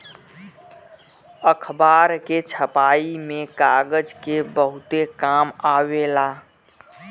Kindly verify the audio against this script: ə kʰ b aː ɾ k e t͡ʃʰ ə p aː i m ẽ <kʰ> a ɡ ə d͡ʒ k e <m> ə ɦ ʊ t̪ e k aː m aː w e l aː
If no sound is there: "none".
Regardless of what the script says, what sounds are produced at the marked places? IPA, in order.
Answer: k, b

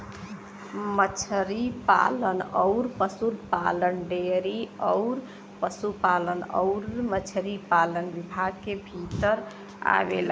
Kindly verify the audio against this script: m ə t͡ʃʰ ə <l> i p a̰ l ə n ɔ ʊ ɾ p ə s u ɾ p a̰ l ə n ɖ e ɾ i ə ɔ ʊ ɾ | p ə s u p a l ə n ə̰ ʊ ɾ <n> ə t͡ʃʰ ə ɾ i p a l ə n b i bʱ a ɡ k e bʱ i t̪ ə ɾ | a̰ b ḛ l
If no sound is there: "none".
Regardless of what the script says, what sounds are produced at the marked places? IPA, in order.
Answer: ɾ, m

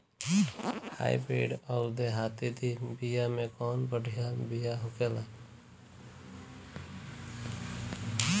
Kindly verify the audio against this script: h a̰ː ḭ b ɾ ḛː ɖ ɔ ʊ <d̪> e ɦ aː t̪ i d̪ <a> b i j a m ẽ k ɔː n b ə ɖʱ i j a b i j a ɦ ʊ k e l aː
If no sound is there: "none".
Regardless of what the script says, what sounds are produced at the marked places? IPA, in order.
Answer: d̪, i

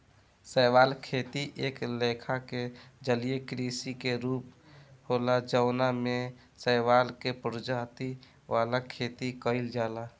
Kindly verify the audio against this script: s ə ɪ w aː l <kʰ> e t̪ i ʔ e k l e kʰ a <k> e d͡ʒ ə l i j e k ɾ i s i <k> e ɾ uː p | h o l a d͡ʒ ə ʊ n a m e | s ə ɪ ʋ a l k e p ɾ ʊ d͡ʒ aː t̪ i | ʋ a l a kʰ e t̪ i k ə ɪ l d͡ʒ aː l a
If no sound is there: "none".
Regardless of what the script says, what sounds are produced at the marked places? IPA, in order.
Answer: kʰ, k, k

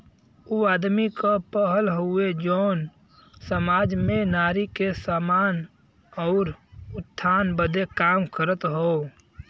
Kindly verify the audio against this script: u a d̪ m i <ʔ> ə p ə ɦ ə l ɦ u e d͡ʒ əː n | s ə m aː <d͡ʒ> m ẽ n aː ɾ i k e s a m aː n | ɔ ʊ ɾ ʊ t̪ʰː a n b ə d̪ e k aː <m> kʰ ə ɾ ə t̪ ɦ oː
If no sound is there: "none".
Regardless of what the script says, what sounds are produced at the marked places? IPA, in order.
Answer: k, d͡ʒ, m

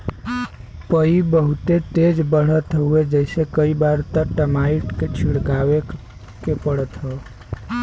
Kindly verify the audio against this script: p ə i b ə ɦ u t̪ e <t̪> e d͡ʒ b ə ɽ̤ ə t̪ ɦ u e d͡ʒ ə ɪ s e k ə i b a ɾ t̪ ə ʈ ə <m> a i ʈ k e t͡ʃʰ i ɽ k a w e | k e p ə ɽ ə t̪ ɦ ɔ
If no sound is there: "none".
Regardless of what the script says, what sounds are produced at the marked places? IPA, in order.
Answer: t̪, m

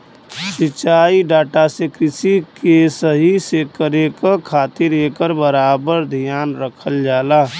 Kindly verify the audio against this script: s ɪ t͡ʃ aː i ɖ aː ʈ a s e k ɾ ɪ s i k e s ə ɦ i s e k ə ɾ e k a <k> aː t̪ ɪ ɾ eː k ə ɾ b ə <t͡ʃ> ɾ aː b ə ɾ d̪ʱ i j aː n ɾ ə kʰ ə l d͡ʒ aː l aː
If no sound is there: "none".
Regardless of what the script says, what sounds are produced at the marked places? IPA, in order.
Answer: kʰ, none

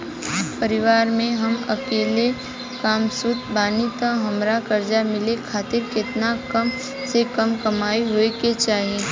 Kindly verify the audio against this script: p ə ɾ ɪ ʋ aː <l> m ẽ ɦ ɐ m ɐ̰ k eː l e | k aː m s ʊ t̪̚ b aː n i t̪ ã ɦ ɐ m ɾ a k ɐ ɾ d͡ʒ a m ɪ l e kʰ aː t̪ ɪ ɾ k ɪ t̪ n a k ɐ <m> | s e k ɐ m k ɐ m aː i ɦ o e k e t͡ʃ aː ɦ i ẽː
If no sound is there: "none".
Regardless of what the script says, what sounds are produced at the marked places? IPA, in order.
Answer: ɾ, m

